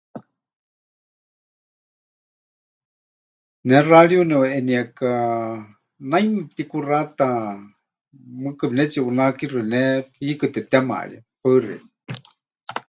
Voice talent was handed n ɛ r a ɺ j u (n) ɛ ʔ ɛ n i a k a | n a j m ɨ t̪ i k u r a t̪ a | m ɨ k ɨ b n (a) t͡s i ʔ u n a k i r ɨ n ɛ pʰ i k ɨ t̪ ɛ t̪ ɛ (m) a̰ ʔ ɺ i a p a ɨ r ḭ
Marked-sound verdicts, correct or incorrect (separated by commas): correct, incorrect, correct